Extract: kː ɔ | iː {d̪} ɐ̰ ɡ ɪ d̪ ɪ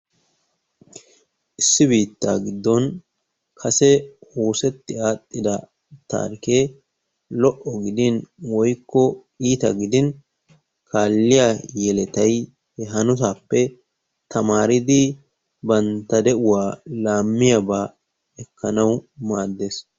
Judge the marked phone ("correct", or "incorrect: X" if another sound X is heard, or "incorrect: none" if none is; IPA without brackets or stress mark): incorrect: t̪